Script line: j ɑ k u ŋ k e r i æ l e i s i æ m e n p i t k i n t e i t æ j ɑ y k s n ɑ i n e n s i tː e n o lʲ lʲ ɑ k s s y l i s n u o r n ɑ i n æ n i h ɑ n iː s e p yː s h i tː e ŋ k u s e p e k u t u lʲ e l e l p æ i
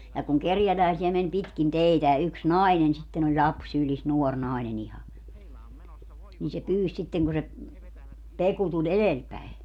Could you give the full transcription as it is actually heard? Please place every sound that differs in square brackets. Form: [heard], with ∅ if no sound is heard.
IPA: j ɑ k u ŋ k e r [j] æ l [æ] i s i æ m e n p i t k i n t e i t æ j ɑ y k s n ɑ i n e n s i tː e n o lʲ lʲ ɑ [p] s s y l i s n u o r n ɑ i n [e] n i h ɑ n iː s e p yː s [s] i tː e ŋ k u s e p e k u t u lʲ e l e l p æ i